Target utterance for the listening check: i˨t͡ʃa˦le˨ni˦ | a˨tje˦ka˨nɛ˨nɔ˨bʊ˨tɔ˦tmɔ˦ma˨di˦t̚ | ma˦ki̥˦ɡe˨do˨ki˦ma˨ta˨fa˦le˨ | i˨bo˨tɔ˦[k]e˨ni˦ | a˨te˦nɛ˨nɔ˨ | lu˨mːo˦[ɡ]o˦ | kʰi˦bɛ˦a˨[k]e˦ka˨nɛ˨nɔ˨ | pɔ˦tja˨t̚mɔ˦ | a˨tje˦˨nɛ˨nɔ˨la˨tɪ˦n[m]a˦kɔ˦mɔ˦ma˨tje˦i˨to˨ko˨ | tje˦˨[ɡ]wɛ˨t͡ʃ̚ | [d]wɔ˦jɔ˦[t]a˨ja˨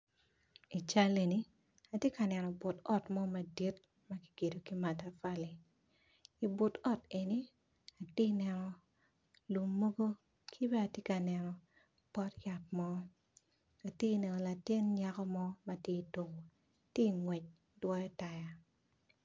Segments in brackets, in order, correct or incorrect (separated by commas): incorrect, correct, incorrect, incorrect, incorrect, correct, correct